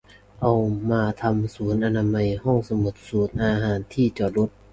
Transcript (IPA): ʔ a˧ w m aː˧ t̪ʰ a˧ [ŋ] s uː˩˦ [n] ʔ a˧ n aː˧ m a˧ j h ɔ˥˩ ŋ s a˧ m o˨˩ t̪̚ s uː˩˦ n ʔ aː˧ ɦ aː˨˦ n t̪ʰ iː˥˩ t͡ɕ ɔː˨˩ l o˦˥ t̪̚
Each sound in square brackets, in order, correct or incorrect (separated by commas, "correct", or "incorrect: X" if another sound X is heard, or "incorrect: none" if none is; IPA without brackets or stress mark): incorrect: m, correct